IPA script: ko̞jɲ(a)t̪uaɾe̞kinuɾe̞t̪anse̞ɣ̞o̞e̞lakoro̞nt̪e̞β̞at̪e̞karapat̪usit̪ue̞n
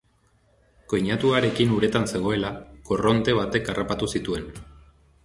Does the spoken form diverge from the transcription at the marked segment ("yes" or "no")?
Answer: no